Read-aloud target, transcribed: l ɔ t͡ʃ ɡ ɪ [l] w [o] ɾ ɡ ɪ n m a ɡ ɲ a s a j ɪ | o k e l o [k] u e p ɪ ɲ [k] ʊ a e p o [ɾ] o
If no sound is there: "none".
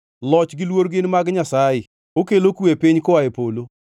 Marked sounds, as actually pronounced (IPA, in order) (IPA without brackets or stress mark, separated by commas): l, o, k, k, l